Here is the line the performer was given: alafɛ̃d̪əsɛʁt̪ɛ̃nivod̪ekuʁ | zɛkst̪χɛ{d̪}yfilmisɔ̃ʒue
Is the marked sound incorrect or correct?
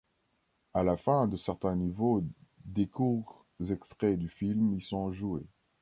correct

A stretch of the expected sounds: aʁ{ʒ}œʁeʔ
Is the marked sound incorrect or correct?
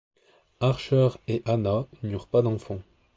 incorrect: ʃ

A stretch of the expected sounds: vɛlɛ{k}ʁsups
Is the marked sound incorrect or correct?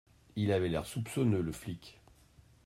incorrect: none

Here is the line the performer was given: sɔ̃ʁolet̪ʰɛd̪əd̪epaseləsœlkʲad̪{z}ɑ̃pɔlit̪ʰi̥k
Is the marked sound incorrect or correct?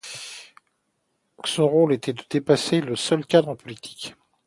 incorrect: ʁ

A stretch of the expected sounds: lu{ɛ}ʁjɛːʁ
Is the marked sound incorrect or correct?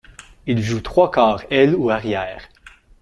incorrect: a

